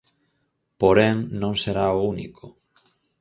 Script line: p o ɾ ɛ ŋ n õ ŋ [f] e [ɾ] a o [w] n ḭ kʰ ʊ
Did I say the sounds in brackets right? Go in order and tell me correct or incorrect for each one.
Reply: incorrect: s, correct, incorrect: u

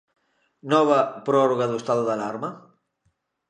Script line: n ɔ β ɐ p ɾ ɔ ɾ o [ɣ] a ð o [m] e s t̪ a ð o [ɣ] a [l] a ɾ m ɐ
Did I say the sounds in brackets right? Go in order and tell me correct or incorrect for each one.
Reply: correct, incorrect: none, incorrect: ð, correct

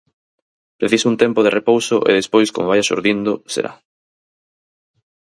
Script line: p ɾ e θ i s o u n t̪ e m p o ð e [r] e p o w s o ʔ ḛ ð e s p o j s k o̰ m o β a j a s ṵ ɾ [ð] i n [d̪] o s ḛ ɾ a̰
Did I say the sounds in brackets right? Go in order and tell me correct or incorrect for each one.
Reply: correct, correct, correct

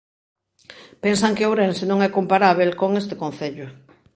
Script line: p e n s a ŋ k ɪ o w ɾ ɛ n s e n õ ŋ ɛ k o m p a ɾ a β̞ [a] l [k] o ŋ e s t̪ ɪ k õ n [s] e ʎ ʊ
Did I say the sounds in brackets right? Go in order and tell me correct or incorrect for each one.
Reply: incorrect: e, correct, incorrect: θ

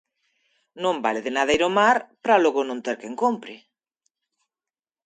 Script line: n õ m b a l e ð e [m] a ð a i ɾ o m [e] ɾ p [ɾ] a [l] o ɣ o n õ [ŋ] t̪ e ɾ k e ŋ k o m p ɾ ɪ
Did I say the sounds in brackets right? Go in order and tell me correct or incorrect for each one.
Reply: incorrect: n, incorrect: a, correct, correct, incorrect: n

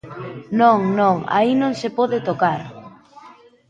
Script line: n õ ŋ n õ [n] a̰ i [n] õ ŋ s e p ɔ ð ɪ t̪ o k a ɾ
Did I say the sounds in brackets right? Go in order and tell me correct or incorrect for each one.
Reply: incorrect: ŋ, correct

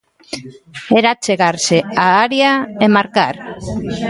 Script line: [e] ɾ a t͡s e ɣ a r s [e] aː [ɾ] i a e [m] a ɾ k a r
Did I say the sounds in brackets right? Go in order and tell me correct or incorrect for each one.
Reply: correct, correct, correct, correct

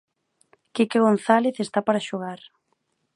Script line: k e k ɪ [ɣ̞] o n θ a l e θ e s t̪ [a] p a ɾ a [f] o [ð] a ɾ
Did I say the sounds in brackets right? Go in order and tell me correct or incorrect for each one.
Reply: correct, correct, incorrect: ʃ, incorrect: ɣ

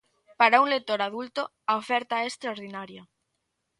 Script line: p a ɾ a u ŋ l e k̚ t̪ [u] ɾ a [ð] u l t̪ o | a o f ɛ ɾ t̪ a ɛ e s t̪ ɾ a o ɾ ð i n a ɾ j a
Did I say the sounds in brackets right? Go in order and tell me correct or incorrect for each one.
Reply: incorrect: o, correct

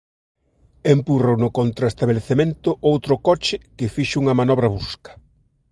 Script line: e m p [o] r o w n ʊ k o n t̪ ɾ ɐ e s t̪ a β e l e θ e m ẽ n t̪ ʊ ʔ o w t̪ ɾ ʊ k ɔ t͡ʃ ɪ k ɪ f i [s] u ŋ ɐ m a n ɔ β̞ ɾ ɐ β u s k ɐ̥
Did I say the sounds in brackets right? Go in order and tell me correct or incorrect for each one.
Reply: incorrect: u, incorrect: ʃ

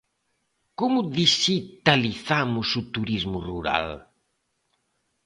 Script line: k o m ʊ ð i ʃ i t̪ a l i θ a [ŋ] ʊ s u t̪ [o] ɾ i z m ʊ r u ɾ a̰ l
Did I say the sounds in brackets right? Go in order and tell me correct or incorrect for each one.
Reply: incorrect: m, incorrect: u

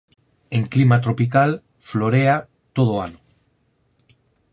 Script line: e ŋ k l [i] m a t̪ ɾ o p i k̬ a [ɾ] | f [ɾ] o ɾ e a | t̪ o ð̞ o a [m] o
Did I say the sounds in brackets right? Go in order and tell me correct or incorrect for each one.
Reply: correct, incorrect: l, incorrect: l, incorrect: n

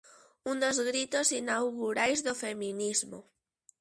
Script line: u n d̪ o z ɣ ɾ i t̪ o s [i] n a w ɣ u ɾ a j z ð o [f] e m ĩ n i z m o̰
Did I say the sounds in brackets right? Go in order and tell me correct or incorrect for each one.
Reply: correct, correct

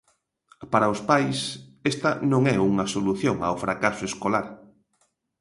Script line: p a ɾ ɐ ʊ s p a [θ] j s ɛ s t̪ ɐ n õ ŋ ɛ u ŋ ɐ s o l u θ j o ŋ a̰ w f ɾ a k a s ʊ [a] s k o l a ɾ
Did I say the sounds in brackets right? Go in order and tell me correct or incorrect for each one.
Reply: incorrect: none, incorrect: e

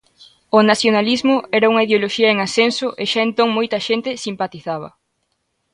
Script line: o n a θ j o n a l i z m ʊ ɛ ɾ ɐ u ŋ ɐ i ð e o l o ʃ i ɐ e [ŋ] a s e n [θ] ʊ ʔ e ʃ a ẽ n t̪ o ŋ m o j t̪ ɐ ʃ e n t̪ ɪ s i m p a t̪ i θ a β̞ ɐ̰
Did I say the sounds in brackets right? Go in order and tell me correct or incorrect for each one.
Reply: correct, incorrect: s

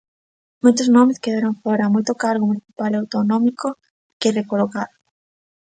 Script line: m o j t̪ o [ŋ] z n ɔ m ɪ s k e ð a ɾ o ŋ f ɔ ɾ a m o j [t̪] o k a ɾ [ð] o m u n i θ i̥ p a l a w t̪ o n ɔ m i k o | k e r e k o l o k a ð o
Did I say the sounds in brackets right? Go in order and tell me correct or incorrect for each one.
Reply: incorrect: none, correct, incorrect: ɣ

